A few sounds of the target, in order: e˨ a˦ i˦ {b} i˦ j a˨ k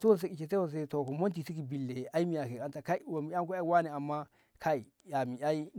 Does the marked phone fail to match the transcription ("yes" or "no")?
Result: yes